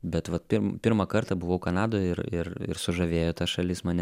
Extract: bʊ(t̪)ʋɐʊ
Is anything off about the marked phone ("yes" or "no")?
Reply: yes